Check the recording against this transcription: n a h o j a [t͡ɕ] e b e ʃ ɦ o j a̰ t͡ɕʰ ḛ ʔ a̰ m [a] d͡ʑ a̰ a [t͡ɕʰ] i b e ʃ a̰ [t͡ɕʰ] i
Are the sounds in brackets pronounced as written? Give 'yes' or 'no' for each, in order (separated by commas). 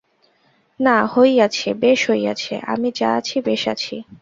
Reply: no, no, yes, yes